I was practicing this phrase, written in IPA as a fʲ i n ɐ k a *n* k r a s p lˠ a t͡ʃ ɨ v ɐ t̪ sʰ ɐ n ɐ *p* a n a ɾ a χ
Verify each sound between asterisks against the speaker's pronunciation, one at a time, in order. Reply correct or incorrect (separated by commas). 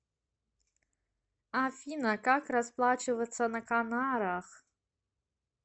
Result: incorrect, incorrect